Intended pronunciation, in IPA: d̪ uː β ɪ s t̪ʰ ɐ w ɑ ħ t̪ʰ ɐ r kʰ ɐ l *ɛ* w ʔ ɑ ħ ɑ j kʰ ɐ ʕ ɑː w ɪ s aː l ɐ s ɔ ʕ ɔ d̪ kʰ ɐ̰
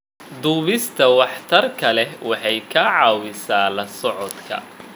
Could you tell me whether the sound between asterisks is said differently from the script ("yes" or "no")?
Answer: no